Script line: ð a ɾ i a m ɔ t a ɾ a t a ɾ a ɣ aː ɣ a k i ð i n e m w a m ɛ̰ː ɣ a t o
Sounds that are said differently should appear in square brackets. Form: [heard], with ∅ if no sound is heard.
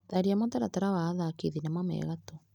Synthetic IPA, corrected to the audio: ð a ɾ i a m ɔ t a ɾ a t a ɾ a [w] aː [ð] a k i ð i n [a] m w a m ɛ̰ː ɣ a t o